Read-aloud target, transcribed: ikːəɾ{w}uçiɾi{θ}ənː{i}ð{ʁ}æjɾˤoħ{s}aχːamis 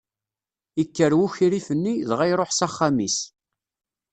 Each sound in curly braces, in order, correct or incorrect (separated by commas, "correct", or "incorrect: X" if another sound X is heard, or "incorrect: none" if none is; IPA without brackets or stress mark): correct, incorrect: f, correct, correct, correct